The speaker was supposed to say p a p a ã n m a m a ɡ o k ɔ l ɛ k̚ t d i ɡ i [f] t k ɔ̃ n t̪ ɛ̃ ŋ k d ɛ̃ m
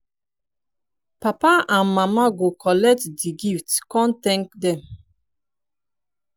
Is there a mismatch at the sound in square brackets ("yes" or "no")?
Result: no